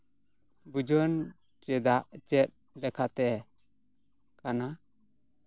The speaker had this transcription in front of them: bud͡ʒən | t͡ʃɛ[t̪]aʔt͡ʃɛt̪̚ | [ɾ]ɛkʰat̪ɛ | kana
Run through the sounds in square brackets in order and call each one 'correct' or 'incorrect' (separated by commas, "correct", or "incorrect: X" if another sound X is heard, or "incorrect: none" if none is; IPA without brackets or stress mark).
incorrect: d̪, incorrect: l